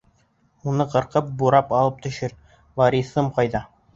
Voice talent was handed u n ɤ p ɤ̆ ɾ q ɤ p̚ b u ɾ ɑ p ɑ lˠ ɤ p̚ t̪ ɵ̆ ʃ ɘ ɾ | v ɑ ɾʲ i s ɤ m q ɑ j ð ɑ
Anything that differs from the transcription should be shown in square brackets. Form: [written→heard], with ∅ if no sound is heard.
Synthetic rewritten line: u n ɤ [p→q] ɤ̆ ɾ q ɤ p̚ b u ɾ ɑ p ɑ lˠ ɤ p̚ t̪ ɵ̆ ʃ ɘ ɾ | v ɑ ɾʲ i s ɤ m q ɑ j ð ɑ